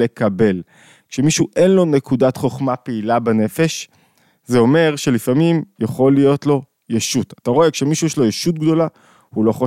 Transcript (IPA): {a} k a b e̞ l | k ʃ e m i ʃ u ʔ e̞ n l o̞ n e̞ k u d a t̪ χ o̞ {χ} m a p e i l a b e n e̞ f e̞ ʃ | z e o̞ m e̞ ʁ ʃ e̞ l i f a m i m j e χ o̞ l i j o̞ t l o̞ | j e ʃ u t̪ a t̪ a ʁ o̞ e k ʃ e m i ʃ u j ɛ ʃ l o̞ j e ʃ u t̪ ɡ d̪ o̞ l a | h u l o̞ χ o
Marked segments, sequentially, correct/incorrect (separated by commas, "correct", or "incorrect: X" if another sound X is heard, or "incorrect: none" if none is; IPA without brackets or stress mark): incorrect: e, correct